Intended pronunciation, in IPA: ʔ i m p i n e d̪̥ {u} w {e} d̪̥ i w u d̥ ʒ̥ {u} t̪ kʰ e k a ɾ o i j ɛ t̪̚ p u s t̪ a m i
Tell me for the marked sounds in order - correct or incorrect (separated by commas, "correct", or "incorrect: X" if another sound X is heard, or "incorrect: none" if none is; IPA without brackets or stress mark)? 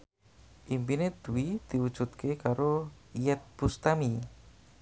correct, incorrect: i, correct